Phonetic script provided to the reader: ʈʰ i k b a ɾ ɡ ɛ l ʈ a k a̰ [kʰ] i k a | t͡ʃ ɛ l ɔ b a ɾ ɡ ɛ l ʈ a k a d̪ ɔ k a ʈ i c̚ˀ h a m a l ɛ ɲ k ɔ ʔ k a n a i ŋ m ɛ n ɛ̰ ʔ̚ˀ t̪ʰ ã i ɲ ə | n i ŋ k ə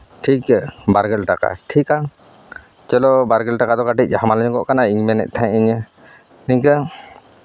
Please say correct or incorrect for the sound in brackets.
incorrect